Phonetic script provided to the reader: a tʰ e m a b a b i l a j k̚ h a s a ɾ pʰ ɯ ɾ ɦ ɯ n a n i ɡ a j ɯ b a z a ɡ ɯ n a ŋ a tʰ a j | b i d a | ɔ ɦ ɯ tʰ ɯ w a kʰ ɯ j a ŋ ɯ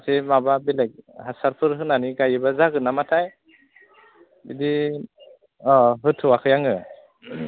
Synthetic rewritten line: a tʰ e m a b a b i l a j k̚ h a s a ɾ pʰ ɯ ɾ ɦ ɯ n a n i ɡ a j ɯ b a z a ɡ ɯ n a m a tʰ a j | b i d i | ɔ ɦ ɯ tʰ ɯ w a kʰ ɯ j a ŋ ɯ